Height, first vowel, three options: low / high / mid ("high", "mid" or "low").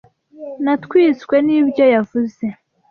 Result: low